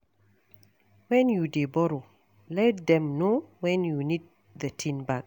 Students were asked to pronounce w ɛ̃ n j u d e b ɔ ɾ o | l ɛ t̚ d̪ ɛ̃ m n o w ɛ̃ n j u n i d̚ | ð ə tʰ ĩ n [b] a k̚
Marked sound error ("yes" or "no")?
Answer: no